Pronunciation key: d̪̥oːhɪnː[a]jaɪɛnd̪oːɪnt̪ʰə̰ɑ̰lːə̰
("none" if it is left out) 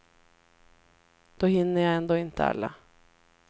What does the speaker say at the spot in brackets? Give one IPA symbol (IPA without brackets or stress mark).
ə